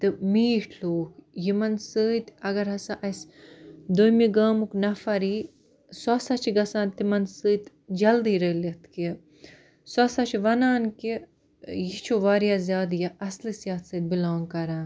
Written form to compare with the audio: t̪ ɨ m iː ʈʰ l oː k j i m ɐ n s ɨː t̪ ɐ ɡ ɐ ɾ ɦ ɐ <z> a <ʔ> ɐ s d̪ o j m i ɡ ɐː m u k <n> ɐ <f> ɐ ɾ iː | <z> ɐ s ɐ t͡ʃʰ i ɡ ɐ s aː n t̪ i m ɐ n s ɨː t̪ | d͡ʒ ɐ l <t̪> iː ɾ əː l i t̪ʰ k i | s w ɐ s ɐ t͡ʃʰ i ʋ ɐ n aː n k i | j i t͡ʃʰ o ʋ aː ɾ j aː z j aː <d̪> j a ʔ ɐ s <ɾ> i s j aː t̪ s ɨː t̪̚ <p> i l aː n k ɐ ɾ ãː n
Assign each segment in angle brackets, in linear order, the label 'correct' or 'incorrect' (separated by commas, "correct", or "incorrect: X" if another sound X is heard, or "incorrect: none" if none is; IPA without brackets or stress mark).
incorrect: s, correct, correct, correct, incorrect: s, incorrect: d̪, correct, incorrect: l, incorrect: b